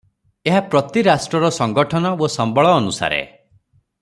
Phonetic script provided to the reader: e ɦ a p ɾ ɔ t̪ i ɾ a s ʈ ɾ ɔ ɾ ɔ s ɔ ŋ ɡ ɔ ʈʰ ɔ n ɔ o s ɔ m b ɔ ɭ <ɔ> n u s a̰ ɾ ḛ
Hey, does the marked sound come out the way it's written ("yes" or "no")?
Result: no